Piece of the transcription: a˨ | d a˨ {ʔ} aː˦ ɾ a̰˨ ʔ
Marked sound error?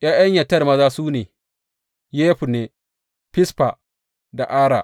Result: no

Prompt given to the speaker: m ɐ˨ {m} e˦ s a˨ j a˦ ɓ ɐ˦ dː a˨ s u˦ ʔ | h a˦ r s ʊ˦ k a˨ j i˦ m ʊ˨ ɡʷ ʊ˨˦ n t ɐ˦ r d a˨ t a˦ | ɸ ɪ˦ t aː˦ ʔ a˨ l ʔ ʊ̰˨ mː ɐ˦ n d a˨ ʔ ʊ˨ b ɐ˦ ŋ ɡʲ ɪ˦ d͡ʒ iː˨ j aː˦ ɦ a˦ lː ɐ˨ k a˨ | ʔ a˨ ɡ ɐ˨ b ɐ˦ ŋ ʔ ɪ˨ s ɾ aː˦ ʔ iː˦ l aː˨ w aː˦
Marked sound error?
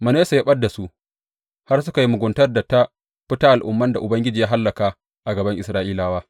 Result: yes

